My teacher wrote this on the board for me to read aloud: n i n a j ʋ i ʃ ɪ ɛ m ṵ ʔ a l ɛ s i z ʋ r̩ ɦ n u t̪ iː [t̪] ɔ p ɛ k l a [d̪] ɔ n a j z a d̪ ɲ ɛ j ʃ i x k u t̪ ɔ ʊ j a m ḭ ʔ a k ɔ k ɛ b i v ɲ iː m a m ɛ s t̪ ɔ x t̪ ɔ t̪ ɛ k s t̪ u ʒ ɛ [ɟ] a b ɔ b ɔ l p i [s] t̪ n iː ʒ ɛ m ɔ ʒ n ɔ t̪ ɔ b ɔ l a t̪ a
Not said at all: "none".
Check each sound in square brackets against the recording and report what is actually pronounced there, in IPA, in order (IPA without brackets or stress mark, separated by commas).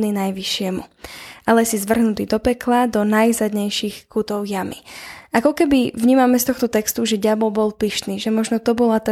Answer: d̪, d̪, ɟ, ʃ